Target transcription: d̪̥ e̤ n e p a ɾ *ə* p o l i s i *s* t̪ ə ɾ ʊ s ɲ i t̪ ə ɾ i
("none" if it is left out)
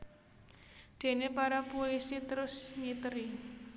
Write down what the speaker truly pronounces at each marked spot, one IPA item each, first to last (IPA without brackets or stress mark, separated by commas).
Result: a, none